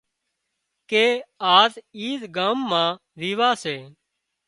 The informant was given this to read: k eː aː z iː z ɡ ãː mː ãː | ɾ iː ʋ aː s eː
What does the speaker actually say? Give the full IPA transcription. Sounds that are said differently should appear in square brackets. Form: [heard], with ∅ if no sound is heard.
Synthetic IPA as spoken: k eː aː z iː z ɡ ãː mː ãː | ɾ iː ʋ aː s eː